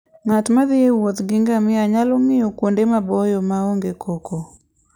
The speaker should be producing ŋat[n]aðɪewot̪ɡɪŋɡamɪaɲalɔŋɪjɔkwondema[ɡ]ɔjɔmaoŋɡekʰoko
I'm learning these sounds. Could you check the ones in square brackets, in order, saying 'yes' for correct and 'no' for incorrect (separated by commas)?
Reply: no, no